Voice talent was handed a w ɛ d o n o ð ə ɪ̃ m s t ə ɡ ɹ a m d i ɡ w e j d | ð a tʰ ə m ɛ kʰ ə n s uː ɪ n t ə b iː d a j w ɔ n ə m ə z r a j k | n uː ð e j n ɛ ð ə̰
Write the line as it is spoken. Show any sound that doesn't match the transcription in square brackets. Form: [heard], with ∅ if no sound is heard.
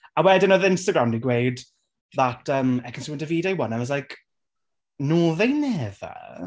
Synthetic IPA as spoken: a w ɛ d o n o ð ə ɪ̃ [n] s t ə ɡ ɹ a m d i ɡ w e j d | ð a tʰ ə m ɛ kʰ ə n s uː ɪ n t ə [v] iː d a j w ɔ n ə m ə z [l] a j k | n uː ð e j n ɛ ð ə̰